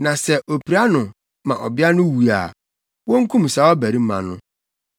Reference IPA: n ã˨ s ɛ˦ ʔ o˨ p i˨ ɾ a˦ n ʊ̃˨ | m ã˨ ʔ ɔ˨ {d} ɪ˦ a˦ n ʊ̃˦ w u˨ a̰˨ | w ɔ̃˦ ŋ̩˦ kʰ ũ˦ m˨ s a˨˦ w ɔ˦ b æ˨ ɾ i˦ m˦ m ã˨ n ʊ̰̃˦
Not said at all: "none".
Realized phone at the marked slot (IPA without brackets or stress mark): b